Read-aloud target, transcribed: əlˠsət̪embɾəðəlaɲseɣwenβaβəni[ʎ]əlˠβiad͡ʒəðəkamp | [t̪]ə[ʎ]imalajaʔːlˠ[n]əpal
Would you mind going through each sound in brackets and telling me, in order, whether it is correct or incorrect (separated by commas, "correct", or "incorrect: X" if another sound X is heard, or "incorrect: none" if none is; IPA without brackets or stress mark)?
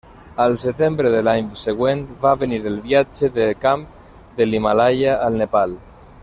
incorrect: ɾ, incorrect: d̪, incorrect: l, correct